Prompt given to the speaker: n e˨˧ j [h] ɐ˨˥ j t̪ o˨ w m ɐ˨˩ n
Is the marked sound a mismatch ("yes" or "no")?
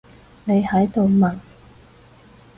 no